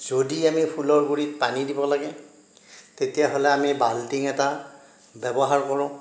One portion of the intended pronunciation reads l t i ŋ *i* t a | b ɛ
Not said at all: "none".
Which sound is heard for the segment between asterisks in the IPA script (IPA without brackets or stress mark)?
ɛ